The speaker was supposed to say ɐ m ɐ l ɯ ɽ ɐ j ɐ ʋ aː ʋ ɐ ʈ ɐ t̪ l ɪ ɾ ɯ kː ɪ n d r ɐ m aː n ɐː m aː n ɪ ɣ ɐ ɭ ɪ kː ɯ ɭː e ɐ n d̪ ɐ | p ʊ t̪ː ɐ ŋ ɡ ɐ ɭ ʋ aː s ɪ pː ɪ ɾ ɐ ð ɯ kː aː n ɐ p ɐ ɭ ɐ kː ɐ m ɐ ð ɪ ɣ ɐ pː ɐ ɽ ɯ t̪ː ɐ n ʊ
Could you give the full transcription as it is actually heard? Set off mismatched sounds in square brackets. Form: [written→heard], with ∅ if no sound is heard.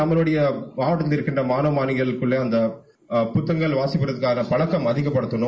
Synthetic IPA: ɐ m ɐ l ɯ ɽ ɐ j ɐ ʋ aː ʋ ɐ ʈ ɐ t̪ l ɪ ɾ ɯ kː ɪ n d r ɐ m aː n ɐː m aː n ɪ ɣ ɐ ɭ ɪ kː ɯ ɭː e ɐ n d̪ ɐ | p ʊ t̪ː ɐ ŋ ɡ ɐ ɭ ʋ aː s ɪ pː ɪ ɾ ɐ ð ɯ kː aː n ɐ p ɐ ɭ ɐ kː ɐ m ɐ ð ɪ ɣ ɐ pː ɐ ɽ ɯ t̪ː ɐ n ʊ